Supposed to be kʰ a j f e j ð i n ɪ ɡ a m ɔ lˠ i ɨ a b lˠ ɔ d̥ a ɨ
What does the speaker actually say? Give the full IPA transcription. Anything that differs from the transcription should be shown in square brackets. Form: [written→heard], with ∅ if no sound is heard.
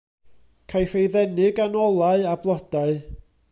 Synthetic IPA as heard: kʰ a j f e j ð [i→ɛ] n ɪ ɡ a [m→n] ɔ lˠ [i→a] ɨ a b lˠ ɔ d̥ a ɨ